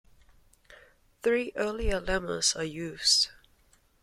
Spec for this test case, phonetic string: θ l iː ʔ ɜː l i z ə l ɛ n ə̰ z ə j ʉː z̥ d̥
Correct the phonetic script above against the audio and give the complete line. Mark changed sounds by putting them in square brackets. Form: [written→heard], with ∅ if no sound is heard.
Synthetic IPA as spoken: θ [l→ɹ] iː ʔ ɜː l i [z→∅] ə l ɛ [n→m] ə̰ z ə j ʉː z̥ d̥